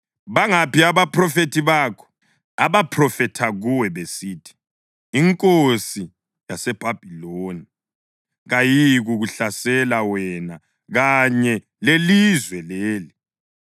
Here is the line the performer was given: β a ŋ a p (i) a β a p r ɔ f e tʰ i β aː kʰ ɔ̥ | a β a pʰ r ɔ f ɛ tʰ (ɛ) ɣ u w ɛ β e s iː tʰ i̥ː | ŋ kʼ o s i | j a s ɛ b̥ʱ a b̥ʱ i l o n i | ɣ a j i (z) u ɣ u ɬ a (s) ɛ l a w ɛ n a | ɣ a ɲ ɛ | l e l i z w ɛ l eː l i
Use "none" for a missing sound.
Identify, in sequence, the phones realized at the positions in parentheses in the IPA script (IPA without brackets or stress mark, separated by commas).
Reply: i, a, ɣ, s